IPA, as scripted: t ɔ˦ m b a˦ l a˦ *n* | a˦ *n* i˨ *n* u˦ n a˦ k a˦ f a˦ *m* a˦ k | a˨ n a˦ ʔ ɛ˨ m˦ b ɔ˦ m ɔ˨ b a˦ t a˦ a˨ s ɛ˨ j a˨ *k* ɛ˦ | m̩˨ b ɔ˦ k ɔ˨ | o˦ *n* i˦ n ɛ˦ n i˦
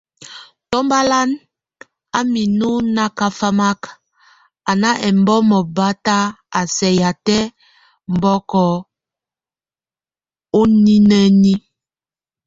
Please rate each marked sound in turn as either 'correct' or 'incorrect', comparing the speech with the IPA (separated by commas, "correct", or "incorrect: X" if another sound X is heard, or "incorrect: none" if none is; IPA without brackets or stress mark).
correct, incorrect: m, correct, correct, incorrect: t, correct